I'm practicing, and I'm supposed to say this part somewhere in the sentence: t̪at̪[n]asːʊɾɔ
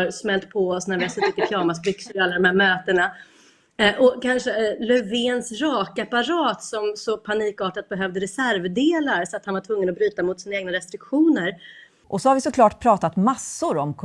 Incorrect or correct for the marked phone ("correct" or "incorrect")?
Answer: incorrect